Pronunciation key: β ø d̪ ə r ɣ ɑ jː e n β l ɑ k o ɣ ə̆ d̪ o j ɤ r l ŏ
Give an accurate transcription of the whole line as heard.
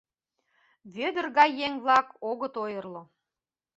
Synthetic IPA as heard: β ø d̪ ə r ɣ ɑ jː e ŋ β l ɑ k o ɣ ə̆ t̪ o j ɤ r l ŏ